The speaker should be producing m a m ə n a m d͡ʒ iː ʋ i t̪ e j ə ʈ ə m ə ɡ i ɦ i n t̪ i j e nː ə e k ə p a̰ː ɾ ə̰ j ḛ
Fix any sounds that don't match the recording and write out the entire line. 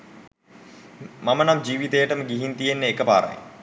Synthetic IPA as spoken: m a m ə n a m d͡ʒ iː ʋ i t̪ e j ə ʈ ə m ə ɡ i ɦ i n t̪ i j e nː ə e k ə p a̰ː ɾ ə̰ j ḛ